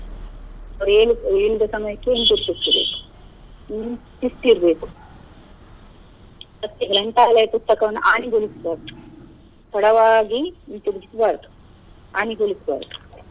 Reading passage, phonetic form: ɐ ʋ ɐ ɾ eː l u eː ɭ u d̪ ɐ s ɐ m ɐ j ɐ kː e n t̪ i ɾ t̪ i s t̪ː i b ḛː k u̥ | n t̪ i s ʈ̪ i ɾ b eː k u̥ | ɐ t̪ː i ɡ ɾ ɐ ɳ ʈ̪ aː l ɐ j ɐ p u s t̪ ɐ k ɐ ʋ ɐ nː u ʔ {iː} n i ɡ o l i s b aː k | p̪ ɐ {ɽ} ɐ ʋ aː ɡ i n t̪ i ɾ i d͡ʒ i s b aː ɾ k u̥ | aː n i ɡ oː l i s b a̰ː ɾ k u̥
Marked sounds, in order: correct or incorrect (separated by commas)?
incorrect, correct